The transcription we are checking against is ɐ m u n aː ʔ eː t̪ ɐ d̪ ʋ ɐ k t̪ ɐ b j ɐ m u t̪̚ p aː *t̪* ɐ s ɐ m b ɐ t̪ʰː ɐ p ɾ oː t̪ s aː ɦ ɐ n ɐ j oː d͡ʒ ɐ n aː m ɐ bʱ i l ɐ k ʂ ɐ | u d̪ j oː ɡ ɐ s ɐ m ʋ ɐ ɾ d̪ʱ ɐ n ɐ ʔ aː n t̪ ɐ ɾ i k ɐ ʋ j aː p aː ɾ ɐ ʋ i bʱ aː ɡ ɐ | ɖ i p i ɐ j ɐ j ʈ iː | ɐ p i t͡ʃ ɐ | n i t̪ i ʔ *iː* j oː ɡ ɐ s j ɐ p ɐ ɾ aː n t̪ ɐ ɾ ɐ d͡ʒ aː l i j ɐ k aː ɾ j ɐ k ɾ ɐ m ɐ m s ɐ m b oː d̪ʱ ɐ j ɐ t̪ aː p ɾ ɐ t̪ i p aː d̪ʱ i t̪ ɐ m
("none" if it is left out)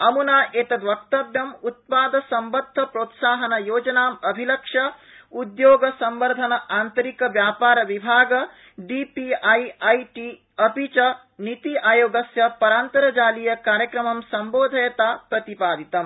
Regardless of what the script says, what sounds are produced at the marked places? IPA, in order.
d̪, aː

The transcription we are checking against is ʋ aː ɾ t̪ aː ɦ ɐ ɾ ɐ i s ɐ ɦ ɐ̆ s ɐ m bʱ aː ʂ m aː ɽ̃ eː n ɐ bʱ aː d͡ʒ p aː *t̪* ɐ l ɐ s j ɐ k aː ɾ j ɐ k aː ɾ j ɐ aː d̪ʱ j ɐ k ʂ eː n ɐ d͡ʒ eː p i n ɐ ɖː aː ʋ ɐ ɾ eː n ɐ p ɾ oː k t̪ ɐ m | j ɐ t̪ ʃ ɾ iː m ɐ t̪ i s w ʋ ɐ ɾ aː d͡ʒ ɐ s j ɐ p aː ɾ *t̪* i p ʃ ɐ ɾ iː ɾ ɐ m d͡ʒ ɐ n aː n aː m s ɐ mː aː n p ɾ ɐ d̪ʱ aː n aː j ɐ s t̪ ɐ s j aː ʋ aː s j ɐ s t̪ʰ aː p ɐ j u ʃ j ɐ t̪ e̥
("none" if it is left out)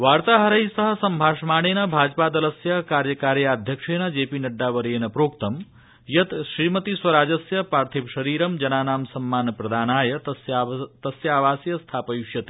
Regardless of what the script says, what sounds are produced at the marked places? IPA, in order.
d̪, t̪ʰ

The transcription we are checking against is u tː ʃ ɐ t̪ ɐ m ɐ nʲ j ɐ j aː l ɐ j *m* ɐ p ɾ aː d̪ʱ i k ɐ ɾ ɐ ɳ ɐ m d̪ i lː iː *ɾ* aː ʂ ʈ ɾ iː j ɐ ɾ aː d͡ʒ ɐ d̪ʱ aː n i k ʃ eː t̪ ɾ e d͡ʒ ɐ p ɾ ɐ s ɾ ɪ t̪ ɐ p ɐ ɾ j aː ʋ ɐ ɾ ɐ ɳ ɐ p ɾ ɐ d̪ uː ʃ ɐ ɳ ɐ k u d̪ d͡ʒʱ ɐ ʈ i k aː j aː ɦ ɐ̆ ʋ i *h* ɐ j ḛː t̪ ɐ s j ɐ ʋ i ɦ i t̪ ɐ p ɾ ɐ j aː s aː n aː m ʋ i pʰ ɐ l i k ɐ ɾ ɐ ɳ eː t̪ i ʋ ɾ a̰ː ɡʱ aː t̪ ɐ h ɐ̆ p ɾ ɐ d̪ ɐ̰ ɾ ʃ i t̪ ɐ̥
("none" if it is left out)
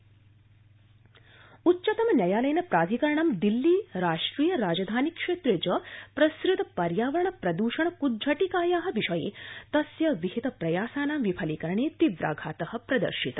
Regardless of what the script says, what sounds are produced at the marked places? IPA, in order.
n, ɾ, ʃ

